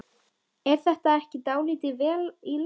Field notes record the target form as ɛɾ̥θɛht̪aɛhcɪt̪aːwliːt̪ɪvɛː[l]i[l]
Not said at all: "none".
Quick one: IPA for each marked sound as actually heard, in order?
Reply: l, l

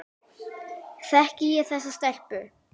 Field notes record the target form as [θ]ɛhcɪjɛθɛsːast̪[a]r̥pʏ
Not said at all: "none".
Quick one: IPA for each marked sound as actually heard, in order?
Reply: θ, ɛ

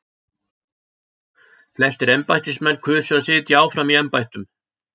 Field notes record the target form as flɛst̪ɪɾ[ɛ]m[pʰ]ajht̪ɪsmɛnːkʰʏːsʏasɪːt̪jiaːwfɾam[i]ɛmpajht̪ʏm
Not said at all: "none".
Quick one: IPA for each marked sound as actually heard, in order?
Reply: ɛ, p, i

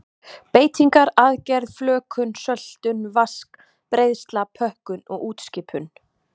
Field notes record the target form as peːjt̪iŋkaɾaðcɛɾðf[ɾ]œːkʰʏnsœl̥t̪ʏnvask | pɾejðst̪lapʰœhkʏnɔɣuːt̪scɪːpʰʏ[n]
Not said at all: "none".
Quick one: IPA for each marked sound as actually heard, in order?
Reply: l, n

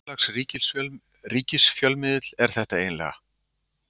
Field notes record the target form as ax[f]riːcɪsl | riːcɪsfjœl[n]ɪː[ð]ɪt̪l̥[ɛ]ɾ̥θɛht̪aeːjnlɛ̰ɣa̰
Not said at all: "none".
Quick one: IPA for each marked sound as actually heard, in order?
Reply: s, m, ð, ɛ

